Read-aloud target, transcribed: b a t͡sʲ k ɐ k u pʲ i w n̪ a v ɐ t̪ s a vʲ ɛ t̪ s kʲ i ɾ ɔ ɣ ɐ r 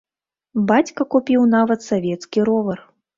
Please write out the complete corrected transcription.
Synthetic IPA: b a t͡sʲ k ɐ k u pʲ i w n̪ a v ɐ t̪ s a vʲ ɛ t̪ s kʲ i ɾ ɔ v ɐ r